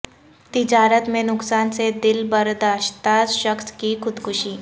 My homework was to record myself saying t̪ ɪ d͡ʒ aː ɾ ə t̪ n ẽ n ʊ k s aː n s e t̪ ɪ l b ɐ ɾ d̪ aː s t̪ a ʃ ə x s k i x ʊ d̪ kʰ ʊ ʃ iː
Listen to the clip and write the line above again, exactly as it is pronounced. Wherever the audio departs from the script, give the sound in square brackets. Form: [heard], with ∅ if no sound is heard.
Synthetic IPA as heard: t̪ ɪ d͡ʒ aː ɾ ə t̪ [m] ẽ n ʊ k s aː n s e [d̪] ɪ l b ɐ ɾ d̪ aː [ʃ] t̪ a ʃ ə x s k i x ʊ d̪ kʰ ʊ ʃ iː